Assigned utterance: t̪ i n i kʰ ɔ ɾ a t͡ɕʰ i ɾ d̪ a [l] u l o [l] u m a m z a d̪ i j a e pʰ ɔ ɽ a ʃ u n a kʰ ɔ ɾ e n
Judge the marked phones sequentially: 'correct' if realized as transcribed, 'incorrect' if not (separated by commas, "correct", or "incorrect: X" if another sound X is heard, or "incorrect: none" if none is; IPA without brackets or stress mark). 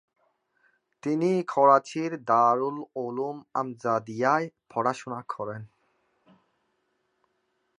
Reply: incorrect: ɾ, correct